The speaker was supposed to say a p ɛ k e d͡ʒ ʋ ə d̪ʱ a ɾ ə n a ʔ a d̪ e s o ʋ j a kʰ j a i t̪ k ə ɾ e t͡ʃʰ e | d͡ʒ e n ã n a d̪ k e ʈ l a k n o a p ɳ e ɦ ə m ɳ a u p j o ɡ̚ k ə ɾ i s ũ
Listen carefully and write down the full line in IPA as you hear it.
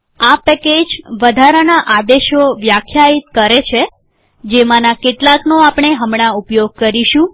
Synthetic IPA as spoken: a p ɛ k e d͡ʒ ʋ ə d̪ʱ a ɾ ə n a ʔ a d̪ e ʃ o ʋ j a kʰ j a i t̪ k ə ɾ e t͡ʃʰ e | d͡ʒ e m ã n a k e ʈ l a k n o a p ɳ e ɦ ə m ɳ a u p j o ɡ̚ k ə ɾ i ʃ ũ